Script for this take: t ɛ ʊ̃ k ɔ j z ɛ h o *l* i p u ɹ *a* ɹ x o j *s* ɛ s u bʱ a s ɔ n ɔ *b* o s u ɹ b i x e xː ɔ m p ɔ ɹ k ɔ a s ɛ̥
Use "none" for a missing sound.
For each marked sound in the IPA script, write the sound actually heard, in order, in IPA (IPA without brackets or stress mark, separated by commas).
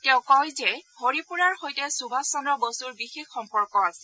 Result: ɹ, a, t, b